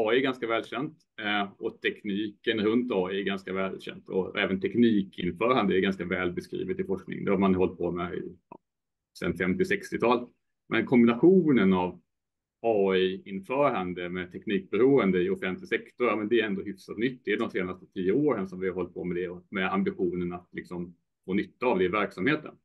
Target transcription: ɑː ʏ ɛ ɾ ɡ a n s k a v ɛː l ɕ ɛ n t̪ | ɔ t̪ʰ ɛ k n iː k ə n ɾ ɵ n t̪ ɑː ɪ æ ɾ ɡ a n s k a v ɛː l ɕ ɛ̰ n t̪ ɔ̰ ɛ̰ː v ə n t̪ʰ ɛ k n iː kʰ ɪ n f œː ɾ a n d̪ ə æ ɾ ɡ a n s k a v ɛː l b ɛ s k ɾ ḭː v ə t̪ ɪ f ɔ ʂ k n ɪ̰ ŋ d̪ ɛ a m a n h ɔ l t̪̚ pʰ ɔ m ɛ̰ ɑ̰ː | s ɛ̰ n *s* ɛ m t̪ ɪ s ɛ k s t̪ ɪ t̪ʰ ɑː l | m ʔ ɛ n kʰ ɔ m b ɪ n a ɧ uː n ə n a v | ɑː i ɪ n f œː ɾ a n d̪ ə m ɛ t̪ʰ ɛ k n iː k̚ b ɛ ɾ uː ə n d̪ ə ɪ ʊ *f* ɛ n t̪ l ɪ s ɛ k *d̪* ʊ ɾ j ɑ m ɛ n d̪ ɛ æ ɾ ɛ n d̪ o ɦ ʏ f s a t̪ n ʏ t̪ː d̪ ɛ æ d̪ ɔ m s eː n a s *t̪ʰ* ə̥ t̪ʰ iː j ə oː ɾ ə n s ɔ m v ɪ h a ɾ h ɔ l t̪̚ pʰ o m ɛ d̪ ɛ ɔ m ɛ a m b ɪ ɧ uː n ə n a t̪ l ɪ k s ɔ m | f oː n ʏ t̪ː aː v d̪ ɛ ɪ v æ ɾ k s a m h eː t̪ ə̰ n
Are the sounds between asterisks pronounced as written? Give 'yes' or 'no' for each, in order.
no, yes, no, no

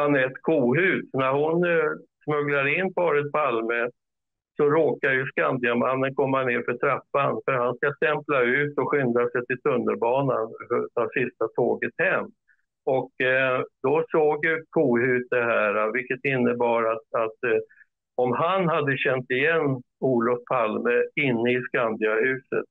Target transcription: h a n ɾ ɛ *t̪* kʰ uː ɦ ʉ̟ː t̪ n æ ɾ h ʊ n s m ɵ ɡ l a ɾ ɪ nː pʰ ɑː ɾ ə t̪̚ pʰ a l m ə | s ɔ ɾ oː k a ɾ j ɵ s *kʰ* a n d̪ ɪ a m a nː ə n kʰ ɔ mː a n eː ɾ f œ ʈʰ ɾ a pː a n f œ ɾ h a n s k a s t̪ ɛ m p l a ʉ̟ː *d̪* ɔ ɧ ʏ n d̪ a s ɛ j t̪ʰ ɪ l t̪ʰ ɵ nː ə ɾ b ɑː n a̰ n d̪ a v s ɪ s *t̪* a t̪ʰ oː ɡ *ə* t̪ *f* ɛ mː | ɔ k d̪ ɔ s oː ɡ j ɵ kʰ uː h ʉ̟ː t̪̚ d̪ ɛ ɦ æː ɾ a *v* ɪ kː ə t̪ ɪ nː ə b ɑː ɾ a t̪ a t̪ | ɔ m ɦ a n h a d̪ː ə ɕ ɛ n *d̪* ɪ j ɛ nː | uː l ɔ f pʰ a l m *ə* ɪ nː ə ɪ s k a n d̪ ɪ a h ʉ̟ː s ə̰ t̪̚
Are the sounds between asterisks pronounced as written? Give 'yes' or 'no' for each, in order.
yes, no, no, yes, yes, no, yes, no, yes

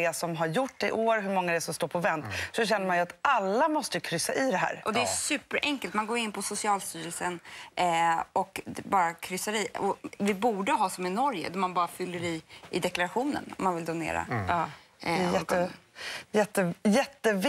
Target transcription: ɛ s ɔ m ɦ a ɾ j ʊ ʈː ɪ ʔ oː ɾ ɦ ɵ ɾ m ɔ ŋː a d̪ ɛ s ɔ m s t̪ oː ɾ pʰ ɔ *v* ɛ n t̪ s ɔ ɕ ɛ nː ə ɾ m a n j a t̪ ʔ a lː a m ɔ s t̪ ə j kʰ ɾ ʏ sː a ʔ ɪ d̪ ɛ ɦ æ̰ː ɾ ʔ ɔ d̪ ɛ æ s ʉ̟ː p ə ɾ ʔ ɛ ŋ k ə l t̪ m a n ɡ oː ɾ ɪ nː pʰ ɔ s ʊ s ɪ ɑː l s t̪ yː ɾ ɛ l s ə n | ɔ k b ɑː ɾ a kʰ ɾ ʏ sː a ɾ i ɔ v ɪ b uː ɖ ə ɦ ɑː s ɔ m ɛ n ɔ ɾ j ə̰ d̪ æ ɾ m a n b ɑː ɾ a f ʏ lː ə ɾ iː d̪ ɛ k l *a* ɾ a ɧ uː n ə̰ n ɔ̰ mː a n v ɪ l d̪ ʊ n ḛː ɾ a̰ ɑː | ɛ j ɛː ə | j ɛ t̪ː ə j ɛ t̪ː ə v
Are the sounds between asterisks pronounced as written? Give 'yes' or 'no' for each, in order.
yes, yes

